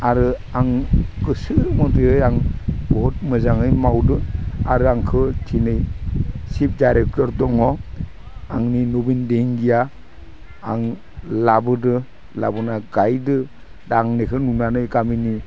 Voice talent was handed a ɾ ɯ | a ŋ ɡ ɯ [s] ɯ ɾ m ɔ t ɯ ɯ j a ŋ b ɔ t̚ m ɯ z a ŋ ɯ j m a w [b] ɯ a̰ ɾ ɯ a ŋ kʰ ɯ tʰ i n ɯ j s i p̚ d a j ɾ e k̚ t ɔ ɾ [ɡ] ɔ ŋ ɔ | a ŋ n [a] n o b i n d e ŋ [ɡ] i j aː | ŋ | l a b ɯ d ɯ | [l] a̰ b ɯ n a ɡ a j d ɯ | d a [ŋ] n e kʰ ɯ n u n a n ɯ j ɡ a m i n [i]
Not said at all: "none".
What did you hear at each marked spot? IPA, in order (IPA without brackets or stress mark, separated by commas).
s, d, d, i, ɡ, l, ŋ, i